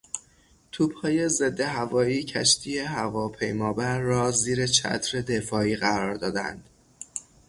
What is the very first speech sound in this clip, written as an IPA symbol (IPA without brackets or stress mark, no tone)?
t̪ʰ